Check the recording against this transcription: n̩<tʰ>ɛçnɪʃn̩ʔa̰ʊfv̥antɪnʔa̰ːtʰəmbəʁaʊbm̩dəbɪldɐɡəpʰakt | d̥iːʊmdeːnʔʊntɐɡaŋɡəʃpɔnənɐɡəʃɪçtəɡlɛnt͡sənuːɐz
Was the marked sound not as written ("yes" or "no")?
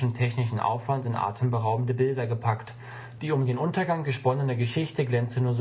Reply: no